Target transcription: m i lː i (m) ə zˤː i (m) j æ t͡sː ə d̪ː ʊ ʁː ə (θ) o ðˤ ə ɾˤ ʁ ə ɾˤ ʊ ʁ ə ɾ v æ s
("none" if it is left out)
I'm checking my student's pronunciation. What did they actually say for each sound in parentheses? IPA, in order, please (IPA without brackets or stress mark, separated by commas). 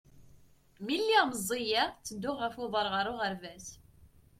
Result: m, none, f